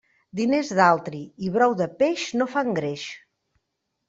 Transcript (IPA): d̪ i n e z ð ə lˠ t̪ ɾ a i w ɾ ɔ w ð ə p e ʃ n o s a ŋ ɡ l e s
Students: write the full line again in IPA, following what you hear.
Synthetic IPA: d̪ i n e z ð a lˠ t̪ ɾ i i β ɾ ɔ w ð ə p e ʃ n o f a ŋ ɡ ɾ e ʃ